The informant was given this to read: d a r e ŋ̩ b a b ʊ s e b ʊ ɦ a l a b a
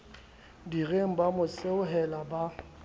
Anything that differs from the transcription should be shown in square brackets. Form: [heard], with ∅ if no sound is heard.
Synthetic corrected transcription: d [i] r e ŋ̩ b a [m] ʊ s e [∅] ʊ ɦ [ɛ] l a b a